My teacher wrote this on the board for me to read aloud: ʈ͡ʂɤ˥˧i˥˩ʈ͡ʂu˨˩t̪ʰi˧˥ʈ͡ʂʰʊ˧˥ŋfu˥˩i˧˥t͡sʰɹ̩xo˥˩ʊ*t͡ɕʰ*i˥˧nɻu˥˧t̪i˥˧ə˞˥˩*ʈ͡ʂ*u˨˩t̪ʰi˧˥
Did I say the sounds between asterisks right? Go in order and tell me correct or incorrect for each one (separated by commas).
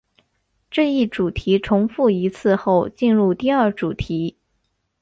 incorrect, correct